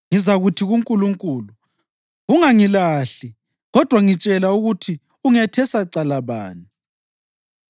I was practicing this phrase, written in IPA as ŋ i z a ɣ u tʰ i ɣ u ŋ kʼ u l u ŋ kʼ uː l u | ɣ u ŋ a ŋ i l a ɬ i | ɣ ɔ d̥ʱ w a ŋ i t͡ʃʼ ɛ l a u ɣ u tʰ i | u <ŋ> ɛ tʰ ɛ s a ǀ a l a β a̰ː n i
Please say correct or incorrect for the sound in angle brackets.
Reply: correct